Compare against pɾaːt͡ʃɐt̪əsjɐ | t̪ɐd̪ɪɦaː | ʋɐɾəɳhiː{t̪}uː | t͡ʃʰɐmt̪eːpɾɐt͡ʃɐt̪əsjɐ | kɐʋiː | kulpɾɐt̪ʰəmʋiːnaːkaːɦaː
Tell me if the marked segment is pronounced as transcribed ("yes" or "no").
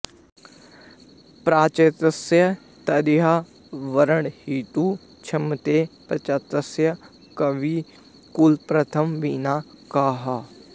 yes